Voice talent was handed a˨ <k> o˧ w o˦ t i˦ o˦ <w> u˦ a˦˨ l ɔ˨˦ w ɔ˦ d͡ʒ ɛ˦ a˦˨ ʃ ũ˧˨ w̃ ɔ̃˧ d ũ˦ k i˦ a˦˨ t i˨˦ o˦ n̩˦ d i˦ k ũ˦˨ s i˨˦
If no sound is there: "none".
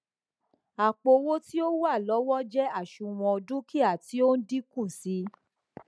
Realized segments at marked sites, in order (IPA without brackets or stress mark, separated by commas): k͡p, w